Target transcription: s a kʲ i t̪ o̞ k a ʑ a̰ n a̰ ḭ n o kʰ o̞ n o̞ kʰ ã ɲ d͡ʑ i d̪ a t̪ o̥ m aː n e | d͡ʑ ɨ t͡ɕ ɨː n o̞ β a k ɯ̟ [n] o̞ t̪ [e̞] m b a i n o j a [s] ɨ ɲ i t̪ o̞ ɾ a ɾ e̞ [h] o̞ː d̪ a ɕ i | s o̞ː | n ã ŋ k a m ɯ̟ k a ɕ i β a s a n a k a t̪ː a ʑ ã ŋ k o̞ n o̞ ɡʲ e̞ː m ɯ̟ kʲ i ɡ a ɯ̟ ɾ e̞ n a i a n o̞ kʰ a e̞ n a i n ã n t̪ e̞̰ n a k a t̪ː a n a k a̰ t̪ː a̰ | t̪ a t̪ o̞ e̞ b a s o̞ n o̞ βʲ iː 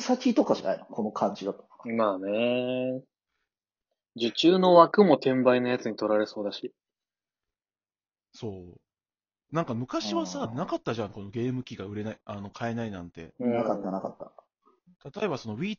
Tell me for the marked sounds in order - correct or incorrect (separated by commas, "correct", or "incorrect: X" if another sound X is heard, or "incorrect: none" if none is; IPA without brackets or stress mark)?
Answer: incorrect: m, incorrect: ẽ̞, incorrect: t͡s, incorrect: s